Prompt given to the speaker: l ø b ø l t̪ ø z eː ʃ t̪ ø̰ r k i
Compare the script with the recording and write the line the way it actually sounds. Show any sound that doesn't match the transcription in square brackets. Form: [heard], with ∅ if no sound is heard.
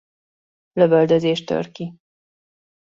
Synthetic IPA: l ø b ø l [d̪] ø z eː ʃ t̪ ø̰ r k i